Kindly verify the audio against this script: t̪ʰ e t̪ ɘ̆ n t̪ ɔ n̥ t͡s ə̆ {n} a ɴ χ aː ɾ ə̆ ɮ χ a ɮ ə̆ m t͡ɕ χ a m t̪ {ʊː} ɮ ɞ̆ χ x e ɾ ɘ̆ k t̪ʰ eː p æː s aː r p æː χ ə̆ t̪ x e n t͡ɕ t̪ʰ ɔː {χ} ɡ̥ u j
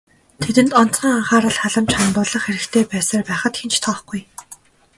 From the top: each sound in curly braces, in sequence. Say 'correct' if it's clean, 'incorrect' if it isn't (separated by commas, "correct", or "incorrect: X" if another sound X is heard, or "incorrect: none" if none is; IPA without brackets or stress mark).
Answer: incorrect: ŋ, correct, correct